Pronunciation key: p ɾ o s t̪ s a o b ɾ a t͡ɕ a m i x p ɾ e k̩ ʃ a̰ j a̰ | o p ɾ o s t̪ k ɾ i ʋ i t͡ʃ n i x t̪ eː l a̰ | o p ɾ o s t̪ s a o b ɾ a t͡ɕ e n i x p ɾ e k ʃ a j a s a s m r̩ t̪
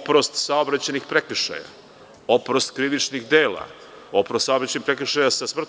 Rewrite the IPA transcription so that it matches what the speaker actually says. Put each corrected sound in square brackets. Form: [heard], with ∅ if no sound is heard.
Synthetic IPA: p ɾ o s t̪ s a o b ɾ a t͡ɕ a [n] i x p ɾ e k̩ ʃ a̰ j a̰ | o p ɾ o s t̪ k ɾ i ʋ i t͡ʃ n i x [d̪] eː l a̰ | o p ɾ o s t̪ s a o b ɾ a t͡ɕ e n i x p ɾ e k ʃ a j a s a s m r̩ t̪